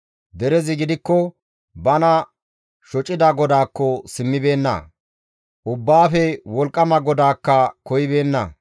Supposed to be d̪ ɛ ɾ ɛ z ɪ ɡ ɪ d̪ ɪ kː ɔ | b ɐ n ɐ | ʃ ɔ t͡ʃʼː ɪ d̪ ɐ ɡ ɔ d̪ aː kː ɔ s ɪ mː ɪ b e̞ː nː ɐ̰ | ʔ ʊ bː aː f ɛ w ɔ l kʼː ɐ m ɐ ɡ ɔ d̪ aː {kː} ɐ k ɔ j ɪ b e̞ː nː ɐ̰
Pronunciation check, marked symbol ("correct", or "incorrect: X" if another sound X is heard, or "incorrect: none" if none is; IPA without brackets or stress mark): correct